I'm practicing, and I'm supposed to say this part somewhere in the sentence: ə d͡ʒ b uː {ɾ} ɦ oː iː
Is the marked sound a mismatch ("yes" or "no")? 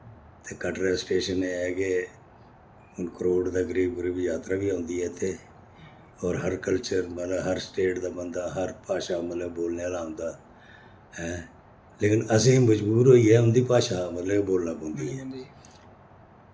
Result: no